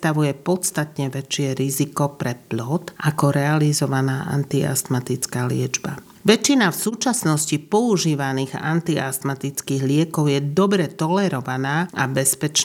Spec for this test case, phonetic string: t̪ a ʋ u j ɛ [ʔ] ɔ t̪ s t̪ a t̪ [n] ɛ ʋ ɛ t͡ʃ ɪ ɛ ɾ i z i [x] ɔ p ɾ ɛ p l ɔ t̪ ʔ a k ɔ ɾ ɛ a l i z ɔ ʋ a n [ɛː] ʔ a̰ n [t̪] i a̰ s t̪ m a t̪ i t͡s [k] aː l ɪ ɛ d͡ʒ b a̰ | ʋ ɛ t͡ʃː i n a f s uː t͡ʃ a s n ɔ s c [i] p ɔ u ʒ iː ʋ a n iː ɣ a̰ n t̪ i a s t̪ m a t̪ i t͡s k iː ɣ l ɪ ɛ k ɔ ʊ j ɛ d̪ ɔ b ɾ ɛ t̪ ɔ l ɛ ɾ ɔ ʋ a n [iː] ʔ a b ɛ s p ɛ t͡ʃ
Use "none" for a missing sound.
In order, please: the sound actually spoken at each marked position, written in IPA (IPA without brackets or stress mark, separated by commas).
p, ɲ, k, aː, t̪, k, i, aː